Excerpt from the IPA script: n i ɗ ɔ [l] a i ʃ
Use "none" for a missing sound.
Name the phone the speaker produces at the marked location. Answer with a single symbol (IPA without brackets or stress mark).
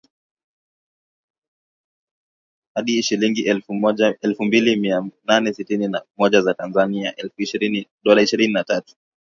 l